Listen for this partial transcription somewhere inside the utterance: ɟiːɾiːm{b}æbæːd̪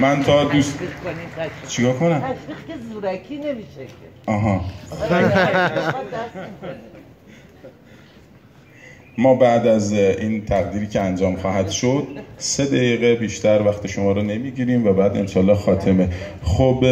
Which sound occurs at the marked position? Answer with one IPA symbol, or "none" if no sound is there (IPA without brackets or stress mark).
v